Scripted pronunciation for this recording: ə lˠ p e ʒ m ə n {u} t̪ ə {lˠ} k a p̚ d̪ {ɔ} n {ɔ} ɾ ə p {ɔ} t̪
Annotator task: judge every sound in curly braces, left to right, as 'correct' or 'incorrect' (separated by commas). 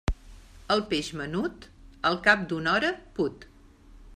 correct, correct, incorrect, correct, incorrect